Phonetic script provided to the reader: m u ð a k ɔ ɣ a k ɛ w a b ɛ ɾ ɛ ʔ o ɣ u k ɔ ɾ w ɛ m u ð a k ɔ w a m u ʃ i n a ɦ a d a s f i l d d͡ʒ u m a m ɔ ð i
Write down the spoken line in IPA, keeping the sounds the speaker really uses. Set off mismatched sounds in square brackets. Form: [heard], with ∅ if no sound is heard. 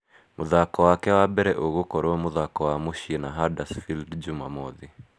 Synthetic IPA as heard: m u ð a k ɔ [w] a k ɛ w a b ɛ ɾ ɛ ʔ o ɣ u k ɔ ɾ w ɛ m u ð a k ɔ w a m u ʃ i n a ɦ a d a s f i l d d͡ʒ u m a m ɔ ð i